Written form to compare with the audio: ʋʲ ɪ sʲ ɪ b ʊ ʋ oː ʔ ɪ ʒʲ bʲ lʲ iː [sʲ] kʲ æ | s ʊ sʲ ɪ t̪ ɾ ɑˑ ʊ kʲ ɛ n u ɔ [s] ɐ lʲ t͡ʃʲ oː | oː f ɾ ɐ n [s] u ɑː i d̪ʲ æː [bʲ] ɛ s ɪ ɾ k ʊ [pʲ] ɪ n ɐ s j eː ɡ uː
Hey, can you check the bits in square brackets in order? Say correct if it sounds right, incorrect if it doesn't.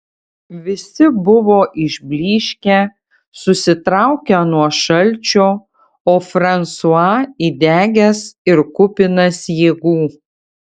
incorrect, incorrect, correct, incorrect, correct

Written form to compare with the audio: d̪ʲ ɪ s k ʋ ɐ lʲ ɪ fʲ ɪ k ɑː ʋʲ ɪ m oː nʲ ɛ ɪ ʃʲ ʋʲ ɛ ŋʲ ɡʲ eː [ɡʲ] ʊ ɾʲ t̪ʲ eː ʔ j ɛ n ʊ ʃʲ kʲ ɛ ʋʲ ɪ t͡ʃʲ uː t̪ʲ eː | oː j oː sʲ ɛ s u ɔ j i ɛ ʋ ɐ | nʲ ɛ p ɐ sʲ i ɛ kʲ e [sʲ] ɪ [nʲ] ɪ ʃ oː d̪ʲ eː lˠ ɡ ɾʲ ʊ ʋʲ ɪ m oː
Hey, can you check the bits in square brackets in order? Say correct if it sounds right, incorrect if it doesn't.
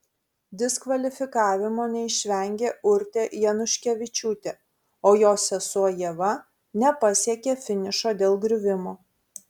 incorrect, incorrect, correct

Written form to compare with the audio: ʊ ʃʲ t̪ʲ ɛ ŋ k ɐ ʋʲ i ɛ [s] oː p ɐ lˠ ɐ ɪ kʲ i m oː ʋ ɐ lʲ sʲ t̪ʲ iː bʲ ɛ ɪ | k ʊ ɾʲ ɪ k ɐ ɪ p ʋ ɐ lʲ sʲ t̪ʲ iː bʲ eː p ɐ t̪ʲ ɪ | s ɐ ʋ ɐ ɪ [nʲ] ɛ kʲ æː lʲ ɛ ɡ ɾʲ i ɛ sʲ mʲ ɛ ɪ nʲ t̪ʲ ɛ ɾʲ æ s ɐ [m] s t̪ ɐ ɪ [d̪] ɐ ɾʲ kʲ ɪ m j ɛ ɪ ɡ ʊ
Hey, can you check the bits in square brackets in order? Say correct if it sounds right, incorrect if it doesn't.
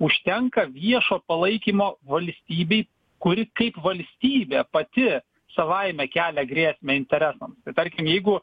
incorrect, incorrect, correct, incorrect

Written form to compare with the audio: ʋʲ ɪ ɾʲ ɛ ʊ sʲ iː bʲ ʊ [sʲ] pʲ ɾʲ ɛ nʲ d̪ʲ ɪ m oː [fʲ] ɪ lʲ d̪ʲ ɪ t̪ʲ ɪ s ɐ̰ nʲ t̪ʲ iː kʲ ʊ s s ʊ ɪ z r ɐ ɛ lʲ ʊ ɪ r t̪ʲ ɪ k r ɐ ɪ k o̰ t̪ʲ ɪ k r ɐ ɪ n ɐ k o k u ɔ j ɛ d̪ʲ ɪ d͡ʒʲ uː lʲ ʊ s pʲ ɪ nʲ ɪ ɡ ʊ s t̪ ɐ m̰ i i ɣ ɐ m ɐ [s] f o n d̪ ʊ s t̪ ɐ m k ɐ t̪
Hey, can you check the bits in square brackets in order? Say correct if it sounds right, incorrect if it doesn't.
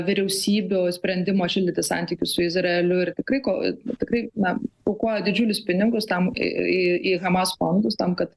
correct, incorrect, correct

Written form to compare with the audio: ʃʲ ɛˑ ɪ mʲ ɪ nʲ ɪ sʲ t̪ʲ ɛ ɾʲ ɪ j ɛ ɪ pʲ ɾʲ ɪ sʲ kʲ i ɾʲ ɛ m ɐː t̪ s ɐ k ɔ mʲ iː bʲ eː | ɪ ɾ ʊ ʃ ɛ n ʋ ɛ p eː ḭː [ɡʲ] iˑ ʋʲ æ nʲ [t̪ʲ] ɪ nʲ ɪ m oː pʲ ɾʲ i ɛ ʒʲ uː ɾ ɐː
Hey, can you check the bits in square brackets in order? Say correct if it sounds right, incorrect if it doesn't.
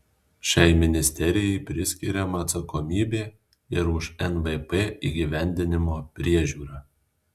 correct, incorrect

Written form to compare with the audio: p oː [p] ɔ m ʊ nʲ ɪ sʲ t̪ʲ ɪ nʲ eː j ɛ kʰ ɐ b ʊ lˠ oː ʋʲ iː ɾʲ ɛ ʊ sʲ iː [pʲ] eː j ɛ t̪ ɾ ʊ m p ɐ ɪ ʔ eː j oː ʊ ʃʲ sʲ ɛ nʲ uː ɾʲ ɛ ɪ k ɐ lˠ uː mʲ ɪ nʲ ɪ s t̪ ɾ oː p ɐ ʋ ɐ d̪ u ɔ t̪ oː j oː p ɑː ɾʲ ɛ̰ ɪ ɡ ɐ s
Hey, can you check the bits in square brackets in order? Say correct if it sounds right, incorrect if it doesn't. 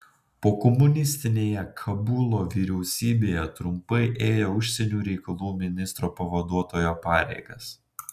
incorrect, incorrect

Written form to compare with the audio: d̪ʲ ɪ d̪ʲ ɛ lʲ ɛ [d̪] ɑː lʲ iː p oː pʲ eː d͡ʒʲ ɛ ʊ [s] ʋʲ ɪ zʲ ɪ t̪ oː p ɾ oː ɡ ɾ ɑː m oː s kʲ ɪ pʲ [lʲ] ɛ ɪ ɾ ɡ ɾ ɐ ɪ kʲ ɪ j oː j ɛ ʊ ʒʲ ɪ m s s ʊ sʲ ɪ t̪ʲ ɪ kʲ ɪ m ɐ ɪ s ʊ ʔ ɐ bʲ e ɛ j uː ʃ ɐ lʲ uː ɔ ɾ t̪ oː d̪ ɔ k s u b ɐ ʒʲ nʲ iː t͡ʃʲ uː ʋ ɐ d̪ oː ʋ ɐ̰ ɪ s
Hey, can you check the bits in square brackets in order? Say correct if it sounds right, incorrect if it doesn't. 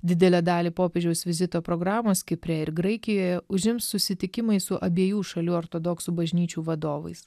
correct, correct, incorrect

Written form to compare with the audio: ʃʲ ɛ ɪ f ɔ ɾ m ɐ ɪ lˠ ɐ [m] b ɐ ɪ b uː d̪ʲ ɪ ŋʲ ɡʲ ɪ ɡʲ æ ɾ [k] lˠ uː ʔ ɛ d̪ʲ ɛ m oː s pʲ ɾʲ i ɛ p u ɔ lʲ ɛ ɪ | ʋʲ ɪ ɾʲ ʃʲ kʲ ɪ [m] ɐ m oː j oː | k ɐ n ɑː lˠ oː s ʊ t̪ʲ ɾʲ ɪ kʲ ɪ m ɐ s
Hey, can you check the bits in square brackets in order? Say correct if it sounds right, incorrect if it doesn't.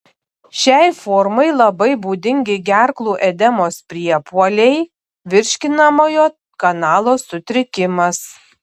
incorrect, correct, incorrect

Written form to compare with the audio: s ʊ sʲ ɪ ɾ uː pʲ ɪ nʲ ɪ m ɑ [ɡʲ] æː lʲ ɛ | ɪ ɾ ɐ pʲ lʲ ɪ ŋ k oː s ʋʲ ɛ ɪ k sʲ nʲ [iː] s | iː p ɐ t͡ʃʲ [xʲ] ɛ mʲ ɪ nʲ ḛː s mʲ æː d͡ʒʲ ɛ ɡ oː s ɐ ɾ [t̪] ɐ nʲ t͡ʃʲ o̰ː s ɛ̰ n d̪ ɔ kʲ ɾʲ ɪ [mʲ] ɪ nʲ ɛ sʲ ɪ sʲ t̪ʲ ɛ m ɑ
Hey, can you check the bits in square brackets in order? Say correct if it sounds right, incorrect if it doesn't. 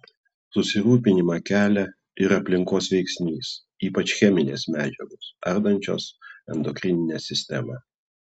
incorrect, correct, correct, incorrect, incorrect

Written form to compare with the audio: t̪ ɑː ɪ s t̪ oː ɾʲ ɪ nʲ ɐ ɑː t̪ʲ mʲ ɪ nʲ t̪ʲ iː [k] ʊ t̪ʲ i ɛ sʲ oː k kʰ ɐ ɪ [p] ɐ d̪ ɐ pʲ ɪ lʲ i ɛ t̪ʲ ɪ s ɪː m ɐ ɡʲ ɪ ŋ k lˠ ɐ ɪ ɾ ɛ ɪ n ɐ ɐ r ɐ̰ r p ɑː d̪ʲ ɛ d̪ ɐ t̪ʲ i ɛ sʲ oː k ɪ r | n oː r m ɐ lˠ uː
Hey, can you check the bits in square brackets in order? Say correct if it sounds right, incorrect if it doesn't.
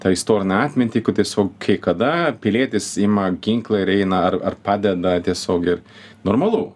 correct, incorrect

